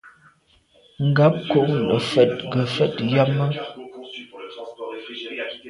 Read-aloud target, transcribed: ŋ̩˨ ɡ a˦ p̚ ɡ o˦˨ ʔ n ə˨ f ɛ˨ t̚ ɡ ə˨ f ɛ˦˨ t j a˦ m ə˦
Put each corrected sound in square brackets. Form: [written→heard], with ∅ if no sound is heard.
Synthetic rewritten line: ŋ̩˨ ɡ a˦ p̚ [ɡ→k] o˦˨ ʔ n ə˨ f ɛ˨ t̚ ɡ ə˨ f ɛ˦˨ t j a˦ m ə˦